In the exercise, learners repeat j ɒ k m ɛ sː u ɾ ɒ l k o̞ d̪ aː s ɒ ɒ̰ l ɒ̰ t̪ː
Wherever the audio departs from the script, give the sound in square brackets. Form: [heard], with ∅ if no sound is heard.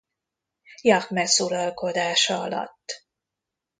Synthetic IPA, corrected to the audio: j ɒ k m ɛ [s] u ɾ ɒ l k o̞ d̪ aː [ʃ] ɒ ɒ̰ l ɒ̰ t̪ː

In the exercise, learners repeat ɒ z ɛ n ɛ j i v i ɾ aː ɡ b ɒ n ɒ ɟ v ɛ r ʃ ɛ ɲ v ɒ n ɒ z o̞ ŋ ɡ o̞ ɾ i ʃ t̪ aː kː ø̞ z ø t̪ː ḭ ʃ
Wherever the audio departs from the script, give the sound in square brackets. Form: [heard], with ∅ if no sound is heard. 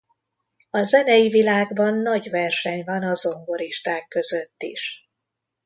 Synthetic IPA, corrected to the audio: ɒ z ɛ n ɛ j i v i [l] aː ɡ b ɒ [nː] ɒ ɟ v ɛ r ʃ ɛ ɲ v ɒ n ɒ z o̞ ŋ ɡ o̞ ɾ i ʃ t̪ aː kː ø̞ z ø t̪ː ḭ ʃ

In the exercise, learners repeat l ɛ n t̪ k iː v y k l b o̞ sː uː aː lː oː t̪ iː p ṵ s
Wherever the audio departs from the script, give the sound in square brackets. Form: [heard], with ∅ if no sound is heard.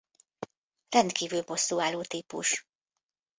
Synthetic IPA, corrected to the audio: [r] ɛ n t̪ k iː v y [∅] l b o̞ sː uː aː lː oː t̪ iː p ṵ [ʃ]

